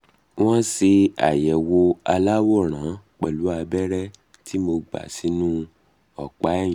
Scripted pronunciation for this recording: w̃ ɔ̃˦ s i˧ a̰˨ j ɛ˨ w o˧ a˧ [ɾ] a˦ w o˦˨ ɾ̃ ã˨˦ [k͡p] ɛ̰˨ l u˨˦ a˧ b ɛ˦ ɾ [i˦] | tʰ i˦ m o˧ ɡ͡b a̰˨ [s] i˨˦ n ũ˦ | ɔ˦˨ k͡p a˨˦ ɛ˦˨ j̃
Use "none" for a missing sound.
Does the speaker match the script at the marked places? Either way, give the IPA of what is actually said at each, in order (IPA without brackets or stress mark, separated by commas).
l, k͡p, ɛ˦, s